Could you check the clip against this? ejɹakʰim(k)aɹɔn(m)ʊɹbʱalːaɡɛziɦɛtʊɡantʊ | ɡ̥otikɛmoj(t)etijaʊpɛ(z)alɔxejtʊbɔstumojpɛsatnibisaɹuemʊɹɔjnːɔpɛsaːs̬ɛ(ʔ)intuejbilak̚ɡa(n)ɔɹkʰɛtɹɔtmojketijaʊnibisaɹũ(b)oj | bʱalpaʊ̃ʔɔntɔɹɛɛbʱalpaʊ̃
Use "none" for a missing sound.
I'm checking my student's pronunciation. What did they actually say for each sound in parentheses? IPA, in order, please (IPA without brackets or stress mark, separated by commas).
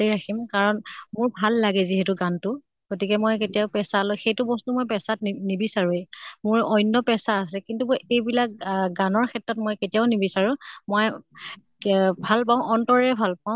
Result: k, m, k, s, k, n, m